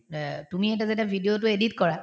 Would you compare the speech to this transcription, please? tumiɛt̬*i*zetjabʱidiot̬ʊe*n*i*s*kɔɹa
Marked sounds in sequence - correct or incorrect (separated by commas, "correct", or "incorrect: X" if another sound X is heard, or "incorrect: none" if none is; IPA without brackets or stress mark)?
incorrect: a, incorrect: d, incorrect: t